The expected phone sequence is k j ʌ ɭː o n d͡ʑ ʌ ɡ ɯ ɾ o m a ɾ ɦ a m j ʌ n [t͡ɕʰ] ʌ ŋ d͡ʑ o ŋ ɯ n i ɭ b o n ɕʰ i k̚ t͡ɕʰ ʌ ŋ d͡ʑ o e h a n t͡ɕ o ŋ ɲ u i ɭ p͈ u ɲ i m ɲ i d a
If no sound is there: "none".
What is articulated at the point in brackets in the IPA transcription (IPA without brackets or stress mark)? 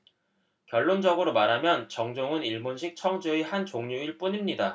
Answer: t͡ɕ